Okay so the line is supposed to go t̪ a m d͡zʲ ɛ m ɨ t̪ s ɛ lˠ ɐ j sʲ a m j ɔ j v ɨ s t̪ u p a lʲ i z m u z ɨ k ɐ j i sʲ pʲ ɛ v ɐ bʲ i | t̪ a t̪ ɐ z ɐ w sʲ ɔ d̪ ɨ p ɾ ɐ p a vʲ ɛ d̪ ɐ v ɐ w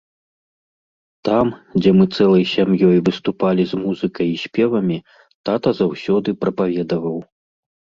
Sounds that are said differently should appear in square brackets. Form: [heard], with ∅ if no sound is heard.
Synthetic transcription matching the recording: t̪ a m d͡zʲ ɛ m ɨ t̪ s ɛ lˠ ɐ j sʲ a m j ɔ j v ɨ s t̪ u p a lʲ i z m u z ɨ k ɐ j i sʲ pʲ ɛ v ɐ [mʲ] i | t̪ a t̪ ɐ z [a] w sʲ ɔ d̪ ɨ p ɾ ɐ p a vʲ ɛ d̪ ɐ v ɐ w